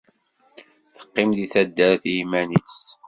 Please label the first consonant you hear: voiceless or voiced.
voiceless